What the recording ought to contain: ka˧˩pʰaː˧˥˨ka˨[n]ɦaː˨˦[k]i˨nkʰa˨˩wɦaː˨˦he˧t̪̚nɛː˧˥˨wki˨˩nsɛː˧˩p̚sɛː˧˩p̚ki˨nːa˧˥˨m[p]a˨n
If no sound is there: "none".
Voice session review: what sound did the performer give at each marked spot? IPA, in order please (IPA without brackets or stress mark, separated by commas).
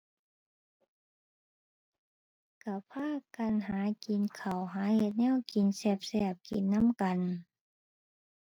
n, k, k